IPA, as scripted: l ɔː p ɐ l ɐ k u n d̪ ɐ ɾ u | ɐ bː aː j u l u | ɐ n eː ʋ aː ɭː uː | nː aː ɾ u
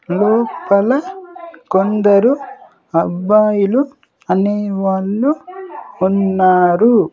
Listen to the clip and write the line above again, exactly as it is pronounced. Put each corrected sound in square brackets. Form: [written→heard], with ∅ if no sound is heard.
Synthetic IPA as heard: l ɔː p ɐ l ɐ k [u→o] n d̪ ɐ ɾ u | ɐ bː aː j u l u | ɐ n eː ʋ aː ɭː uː | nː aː ɾ u

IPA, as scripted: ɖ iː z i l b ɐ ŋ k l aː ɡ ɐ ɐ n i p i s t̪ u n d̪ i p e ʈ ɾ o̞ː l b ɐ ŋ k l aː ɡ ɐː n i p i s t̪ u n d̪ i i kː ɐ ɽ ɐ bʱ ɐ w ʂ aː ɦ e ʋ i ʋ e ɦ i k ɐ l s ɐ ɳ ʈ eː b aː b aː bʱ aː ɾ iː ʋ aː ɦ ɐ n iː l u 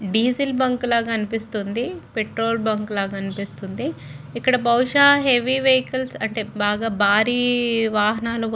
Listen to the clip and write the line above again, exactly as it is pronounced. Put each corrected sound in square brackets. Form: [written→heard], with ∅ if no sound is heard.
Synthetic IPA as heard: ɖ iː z i l b ɐ ŋ k l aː ɡ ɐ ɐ n i p i s t̪ u n d̪ i p e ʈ ɾ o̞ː l b ɐ ŋ k l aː ɡ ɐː n i p i s t̪ u n d̪ i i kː ɐ ɽ ɐ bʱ ɐ w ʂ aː ɦ e ʋ i ʋ e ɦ i k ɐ l s ɐ ɳ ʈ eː b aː [b→ɡ] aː bʱ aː ɾ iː ʋ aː ɦ ɐ n [iː→aː] l u

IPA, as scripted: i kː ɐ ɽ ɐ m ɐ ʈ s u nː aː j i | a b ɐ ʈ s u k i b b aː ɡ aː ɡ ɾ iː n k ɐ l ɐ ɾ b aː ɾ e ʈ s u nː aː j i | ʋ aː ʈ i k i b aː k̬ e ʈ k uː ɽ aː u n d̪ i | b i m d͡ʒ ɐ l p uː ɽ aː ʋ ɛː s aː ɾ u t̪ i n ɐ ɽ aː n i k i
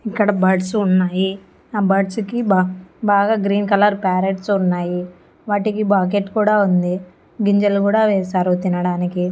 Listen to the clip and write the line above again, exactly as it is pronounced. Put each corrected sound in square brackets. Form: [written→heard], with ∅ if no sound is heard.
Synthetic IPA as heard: i kː ɐ ɽ ɐ [m→b] ɐ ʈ s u nː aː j i | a b ɐ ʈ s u k i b b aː ɡ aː ɡ ɾ iː n k ɐ l ɐ ɾ [b→p] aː ɾ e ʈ s u nː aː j i | ʋ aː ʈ i k i b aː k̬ e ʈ k uː ɽ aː u n d̪ i | [b→ɡ] i [m→ɲ] d͡ʒ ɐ l [p→k] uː ɽ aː ʋ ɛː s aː ɾ u t̪ i n ɐ ɽ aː n i k i

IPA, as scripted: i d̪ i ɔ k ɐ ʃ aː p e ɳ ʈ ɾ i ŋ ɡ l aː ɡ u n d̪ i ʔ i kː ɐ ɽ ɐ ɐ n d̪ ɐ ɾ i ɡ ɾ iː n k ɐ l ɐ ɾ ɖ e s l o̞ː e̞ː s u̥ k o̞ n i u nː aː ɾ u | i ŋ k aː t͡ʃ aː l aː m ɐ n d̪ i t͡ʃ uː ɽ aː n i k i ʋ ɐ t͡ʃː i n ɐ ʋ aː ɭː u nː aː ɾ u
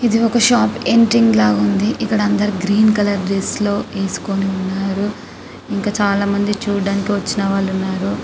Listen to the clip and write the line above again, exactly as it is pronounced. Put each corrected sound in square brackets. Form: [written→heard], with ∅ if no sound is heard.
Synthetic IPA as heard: i d̪ i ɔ k ɐ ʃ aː p e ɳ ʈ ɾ i ŋ ɡ l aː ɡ u n d̪ i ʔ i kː ɐ ɽ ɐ ɐ n d̪ ɐ ɾ i ɡ ɾ iː n k ɐ l ɐ ɾ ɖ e s l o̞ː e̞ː s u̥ k o̞ n i u nː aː ɾ u | i ŋ k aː t͡ʃ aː l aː m ɐ n d̪ i t͡ʃ uː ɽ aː n i k i ʋ ɐ t͡ʃː i n ɐ ʋ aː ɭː u nː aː ɾ u

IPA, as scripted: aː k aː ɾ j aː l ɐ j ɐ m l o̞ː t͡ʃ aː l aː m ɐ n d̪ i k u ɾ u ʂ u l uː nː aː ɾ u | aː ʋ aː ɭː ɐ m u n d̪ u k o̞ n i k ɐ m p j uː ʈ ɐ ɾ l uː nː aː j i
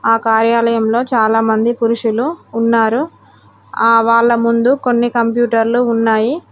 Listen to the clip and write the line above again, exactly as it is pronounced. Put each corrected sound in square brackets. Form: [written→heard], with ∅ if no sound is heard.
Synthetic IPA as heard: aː k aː ɾ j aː l ɐ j ɐ m l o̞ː t͡ʃ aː l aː m ɐ n d̪ i [k→p] u ɾ u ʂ u l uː nː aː ɾ u | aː ʋ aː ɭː ɐ m u n d̪ u k o̞ [n→nː] i k ɐ m p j uː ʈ ɐ ɾ l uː nː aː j i

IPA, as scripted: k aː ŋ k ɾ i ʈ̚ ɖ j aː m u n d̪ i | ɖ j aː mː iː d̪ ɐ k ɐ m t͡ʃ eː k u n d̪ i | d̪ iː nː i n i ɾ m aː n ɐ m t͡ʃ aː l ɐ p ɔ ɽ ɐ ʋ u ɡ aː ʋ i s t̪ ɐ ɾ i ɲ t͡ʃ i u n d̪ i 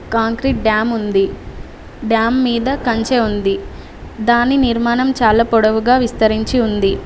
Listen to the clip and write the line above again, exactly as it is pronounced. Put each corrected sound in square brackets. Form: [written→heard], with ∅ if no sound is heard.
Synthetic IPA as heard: k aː ŋ k ɾ i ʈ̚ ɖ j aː m u n d̪ i | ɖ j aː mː iː d̪ ɐ k ɐ [m→ɲ] t͡ʃ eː [k→∅] u n d̪ i | d̪ [iː→aː] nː i n i ɾ m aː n ɐ m t͡ʃ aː l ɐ p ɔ ɽ ɐ ʋ u ɡ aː ʋ i s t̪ ɐ ɾ i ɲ t͡ʃ i u n d̪ i

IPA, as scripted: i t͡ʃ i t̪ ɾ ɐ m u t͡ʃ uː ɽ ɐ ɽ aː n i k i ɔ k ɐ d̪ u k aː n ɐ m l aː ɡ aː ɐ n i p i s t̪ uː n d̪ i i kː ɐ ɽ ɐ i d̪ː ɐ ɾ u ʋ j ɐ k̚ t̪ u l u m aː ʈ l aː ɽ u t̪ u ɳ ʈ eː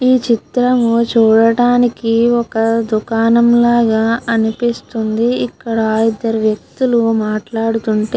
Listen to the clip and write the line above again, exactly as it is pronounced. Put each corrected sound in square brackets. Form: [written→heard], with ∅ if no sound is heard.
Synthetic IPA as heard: [i→iː] t͡ʃ i t̪ ɾ ɐ m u t͡ʃ uː ɽ ɐ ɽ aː n i k i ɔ k ɐ d̪ u k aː n ɐ m l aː ɡ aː ɐ n i p i s t̪ [uː→u] n d̪ i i kː ɐ ɽ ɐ i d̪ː ɐ ɾ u ʋ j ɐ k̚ t̪ u l u m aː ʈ l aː ɽ u t̪ u ɳ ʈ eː

